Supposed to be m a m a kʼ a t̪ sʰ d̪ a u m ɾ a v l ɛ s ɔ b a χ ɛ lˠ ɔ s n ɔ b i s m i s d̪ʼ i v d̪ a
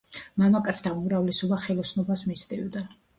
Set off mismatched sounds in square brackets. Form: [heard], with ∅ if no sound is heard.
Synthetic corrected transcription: m a m a kʼ a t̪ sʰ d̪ a u m ɾ a v l ɛ s ɔ b a χ ɛ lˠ ɔ s n ɔ b [a] s m i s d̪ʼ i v d̪ a